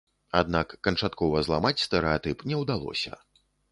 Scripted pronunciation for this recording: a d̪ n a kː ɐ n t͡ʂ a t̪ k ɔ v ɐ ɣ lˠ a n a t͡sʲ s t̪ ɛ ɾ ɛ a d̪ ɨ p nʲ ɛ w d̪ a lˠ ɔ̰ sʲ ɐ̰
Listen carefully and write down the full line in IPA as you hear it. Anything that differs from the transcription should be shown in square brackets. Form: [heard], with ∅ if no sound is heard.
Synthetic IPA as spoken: a d̪ n a kː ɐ n t͡ʂ a t̪ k ɔ v ɐ [z] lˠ a [m] a t͡sʲ s t̪ ɛ ɾ ɛ a [t̪] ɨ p nʲ ɛ w d̪ a lˠ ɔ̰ sʲ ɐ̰

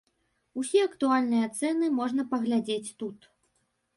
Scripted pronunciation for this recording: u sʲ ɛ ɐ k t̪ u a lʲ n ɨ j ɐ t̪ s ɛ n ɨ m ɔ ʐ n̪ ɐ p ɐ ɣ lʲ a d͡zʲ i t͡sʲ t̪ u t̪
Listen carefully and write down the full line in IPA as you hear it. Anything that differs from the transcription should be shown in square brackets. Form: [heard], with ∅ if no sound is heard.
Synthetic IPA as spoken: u sʲ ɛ ɐ k t̪ u a lʲ n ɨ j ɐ t̪ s ɛ n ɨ m ɔ ʐ n̪ ɐ p ɐ ɣ lʲ a d͡zʲ [e] t͡sʲ t̪ u t̪

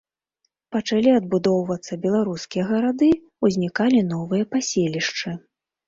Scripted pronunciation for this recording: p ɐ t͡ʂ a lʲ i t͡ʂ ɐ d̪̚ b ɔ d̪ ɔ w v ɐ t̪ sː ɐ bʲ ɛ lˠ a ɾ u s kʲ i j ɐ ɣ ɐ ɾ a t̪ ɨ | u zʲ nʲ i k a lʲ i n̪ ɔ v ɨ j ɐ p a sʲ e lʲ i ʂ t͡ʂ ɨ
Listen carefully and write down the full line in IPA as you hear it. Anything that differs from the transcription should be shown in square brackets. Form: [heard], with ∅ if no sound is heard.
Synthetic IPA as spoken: p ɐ t͡ʂ a lʲ i [∅] ɐ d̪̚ b [u] d̪ ɔ w v ɐ t̪ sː ɐ bʲ ɛ lˠ a ɾ u s kʲ i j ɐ ɣ ɐ ɾ a [d̪] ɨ | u zʲ nʲ i k a lʲ i n̪ ɔ v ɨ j ɐ p a sʲ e lʲ i ʂ t͡ʂ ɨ

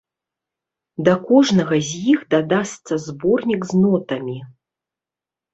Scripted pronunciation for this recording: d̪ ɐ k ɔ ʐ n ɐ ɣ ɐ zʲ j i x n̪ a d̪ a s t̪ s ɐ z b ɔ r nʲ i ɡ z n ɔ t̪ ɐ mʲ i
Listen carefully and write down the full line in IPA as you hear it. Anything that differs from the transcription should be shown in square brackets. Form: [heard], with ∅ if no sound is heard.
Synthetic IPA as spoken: d̪ ɐ k ɔ ʐ n ɐ ɣ ɐ zʲ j i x [d̪] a d̪ a s t̪ s ɐ z b ɔ r nʲ i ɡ z n ɔ t̪ ɐ mʲ i

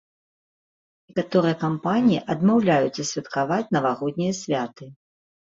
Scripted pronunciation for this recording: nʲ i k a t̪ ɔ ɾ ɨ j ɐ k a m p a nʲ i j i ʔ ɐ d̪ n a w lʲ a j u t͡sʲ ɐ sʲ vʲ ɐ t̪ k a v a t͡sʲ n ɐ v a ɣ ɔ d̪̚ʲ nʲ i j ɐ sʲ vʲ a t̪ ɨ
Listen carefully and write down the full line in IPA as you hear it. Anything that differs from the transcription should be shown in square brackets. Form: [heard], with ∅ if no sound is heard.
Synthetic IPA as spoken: nʲ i k a t̪ ɔ ɾ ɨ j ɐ k a m p a nʲ i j i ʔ ɐ d̪ [m] a w lʲ a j u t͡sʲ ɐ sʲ vʲ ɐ t̪ k a v a t͡sʲ n ɐ v a ɣ ɔ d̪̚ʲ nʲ i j ɐ sʲ vʲ a t̪ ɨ

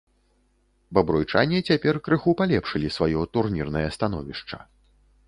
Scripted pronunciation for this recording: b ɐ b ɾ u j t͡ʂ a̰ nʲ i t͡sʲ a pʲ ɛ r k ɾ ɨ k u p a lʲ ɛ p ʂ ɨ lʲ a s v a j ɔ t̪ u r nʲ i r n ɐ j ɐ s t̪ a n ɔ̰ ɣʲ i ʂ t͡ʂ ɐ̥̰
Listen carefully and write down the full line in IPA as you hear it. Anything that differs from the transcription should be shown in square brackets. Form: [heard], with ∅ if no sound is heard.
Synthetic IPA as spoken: b ɐ b ɾ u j t͡ʂ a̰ nʲ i t͡sʲ a pʲ ɛ r k ɾ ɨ [x] u p a lʲ ɛ p ʂ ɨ lʲ [i] s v a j ɔ t̪ u r nʲ i r n ɐ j ɐ s t̪ a n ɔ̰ [vʲ] i ʂ t͡ʂ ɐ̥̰

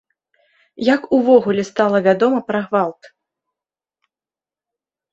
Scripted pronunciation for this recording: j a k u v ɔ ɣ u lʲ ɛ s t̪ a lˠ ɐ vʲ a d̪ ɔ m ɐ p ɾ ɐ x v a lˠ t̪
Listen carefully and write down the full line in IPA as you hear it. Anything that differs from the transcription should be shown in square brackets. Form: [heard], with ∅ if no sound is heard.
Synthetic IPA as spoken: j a k u v ɔ ɣ u lʲ ɛ s t̪ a lˠ ɐ vʲ a d̪ ɔ m ɐ p ɾ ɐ [ɣ] v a lˠ t̪

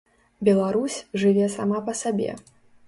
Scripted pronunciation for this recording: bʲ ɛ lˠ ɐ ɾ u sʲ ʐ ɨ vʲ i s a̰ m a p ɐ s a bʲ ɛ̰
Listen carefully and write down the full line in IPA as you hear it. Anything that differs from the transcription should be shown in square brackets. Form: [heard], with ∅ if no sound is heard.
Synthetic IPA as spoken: bʲ ɛ lˠ [a] ɾ u sʲ ʐ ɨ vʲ [ɛ] s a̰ m a p ɐ s a bʲ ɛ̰

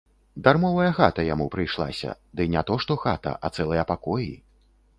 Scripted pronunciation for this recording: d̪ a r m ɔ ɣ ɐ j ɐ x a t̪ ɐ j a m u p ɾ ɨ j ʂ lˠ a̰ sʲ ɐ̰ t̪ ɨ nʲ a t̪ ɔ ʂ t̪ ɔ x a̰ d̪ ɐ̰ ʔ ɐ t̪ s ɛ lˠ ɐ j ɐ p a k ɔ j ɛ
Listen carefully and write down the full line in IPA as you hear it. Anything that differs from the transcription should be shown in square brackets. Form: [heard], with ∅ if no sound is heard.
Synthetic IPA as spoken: d̪ a r m ɔ [v] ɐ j ɐ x a t̪ ɐ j a m u p ɾ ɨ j ʂ lˠ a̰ sʲ ɐ̰ [d̪] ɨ nʲ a t̪ ɔ ʂ t̪ ɔ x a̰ [t̪] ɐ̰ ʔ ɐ t̪ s ɛ lˠ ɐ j ɐ p a k ɔ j [i]

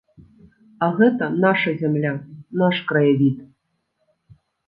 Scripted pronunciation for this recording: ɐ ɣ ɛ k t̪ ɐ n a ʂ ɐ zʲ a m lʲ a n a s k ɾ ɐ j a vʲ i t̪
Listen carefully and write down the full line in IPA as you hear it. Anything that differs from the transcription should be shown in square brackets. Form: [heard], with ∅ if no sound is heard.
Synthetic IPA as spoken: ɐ ɣ ɛ [∅] t̪ ɐ n a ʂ ɐ zʲ a m lʲ a n a [ʂ] k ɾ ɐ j a vʲ i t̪

